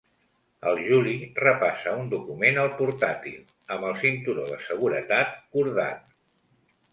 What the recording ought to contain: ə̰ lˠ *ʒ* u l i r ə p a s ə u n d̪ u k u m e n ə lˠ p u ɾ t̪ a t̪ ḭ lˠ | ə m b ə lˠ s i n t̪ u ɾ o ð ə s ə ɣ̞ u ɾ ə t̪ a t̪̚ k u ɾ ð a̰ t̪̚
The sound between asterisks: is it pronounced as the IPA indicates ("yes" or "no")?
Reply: yes